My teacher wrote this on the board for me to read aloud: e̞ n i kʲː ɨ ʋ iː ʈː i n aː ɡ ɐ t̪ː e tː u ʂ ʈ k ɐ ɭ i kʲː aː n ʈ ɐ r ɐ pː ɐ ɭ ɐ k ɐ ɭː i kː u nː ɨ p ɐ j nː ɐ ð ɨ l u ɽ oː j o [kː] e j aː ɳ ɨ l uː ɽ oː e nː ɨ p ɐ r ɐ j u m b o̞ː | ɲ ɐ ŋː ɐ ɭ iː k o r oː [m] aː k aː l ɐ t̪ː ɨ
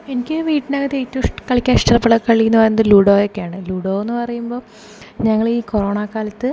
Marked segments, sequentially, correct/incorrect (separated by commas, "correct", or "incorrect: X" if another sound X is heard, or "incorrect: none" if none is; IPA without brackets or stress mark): correct, incorrect: ɳ